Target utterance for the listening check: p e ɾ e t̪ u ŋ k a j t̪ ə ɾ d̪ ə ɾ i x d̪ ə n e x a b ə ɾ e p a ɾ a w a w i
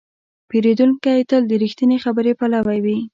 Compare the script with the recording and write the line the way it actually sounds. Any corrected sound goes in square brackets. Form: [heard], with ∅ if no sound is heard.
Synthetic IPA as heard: p e ɾ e [d̪] u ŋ k a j t̪ ə [l] d̪ ə ɾ i x [t̪] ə n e x a b ə ɾ e p a [l] a w a w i